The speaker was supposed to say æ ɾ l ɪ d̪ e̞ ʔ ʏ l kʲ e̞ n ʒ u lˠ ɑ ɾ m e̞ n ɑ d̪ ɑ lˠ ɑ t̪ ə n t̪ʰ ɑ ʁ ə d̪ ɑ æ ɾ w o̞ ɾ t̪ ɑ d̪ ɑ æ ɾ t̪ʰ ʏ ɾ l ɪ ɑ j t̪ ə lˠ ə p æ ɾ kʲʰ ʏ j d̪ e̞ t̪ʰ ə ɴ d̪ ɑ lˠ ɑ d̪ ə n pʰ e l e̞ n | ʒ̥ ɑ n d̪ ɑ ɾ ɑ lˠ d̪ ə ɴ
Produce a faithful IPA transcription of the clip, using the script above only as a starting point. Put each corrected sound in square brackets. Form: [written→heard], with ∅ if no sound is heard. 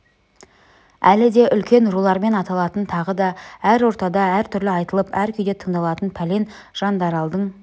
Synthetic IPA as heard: æ [ɾ→∅] l ɪ d̪ e̞ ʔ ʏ l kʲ e̞ n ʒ u lˠ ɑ ɾ m e̞ n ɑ [d̪→t̪] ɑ lˠ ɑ t̪ ə n t̪ʰ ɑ ʁ ə d̪ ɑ æ ɾ w o̞ ɾ t̪ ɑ d̪ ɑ æ ɾ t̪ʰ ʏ ɾ l ɪ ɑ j t̪ ə lˠ ə p æ ɾ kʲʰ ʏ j d̪ e̞ t̪ʰ ə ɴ d̪ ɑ lˠ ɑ [d̪→t̪] ə n pʰ [e→æ] l e̞ n | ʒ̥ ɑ n d̪ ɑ ɾ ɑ lˠ d̪ ə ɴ